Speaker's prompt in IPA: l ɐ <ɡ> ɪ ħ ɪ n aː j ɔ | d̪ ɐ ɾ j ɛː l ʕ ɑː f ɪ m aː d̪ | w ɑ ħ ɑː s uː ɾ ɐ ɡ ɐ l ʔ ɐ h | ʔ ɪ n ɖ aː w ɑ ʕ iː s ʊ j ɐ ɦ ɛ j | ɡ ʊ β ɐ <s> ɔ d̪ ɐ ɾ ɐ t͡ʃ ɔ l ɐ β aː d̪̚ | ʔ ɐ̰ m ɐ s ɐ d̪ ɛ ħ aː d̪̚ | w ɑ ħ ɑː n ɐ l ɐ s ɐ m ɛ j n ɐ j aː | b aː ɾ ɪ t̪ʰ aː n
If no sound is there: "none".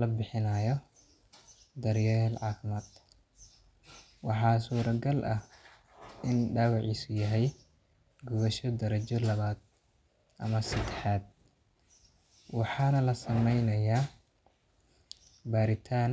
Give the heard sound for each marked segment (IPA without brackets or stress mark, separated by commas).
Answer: b, ʃ